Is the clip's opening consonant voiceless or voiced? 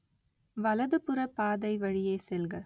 voiced